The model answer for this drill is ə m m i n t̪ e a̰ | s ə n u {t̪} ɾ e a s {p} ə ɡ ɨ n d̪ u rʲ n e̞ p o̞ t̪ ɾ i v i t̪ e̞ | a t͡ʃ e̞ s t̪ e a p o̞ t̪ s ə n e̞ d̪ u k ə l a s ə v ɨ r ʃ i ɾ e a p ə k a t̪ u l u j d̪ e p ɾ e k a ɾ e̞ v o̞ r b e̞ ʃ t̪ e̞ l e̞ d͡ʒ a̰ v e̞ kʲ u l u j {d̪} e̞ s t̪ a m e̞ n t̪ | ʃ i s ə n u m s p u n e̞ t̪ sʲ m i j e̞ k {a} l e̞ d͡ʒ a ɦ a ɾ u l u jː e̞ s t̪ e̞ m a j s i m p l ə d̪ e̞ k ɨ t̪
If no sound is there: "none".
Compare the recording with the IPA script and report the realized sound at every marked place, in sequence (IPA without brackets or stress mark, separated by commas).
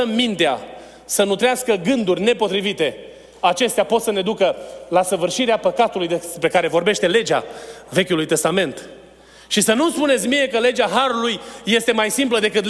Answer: t̪, k, t̪, ə